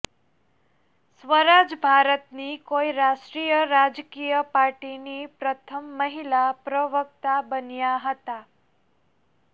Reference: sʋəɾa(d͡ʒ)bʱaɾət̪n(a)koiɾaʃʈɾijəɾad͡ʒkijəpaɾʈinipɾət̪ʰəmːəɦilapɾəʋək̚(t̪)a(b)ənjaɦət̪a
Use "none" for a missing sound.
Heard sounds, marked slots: d͡ʒ, i, t̪, b

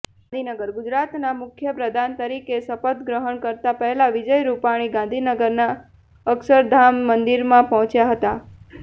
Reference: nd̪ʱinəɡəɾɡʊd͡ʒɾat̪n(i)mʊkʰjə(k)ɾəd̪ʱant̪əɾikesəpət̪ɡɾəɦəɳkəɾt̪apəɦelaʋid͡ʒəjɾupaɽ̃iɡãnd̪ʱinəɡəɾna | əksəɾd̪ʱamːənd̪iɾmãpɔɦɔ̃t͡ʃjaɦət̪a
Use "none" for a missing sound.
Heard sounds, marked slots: a, p

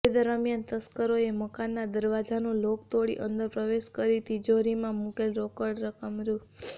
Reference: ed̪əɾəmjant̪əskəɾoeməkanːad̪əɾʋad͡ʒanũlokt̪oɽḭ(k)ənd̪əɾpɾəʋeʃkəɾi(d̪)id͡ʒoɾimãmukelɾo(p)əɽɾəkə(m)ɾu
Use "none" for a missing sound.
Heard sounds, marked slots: ʔ, t̪, k, m

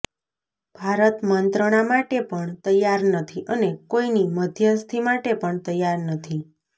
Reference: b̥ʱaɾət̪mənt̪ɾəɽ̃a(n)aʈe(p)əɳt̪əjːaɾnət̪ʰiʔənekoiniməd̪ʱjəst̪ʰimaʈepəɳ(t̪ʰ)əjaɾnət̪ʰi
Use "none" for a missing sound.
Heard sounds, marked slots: m, p, t̪

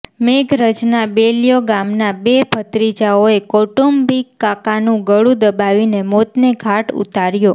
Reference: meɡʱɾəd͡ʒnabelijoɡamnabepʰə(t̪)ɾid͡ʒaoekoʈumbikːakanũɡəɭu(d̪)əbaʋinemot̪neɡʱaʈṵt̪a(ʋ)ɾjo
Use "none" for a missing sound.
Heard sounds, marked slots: t̪, d̪, none

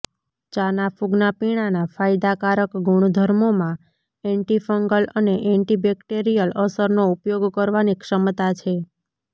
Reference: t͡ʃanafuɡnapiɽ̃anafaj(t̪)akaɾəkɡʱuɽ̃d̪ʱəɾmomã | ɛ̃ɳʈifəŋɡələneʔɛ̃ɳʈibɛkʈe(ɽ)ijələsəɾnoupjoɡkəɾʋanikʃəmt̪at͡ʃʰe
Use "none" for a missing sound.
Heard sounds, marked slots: d̪, ɾ

